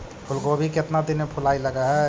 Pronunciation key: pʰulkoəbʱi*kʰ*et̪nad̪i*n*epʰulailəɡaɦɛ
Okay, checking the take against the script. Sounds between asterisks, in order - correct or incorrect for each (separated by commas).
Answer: incorrect, correct